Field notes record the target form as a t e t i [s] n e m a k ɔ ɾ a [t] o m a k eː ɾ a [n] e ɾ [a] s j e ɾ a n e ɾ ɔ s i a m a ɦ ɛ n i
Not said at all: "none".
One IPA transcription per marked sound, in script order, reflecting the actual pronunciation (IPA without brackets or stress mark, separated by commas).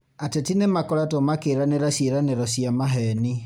none, t, n, a